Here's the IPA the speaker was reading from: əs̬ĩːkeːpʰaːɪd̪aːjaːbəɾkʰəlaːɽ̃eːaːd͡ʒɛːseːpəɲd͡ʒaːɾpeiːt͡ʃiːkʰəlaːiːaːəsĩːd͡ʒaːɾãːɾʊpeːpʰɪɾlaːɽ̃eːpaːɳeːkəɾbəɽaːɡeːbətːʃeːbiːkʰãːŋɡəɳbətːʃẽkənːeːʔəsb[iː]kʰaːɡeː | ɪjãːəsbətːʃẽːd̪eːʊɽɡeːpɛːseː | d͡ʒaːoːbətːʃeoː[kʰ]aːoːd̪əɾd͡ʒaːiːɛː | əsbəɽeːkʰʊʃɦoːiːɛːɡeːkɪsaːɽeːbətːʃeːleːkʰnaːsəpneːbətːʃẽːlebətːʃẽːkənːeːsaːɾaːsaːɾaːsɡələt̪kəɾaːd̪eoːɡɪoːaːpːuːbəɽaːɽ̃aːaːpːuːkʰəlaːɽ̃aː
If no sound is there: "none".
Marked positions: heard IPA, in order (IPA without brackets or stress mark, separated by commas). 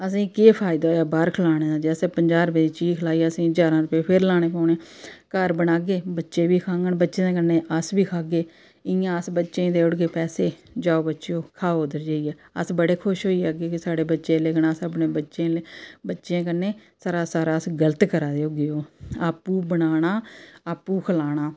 iː, kʰ